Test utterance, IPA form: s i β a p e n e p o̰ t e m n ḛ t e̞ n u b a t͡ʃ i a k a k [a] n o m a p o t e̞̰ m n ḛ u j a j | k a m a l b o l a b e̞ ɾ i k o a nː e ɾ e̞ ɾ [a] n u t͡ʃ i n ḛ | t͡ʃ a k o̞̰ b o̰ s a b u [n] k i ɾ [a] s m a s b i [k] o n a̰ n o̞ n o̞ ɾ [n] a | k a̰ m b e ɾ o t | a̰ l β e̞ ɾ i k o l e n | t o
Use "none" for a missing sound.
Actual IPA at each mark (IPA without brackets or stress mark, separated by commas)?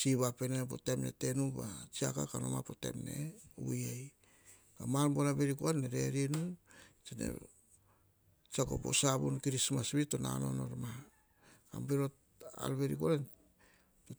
a, i, n, i, t, m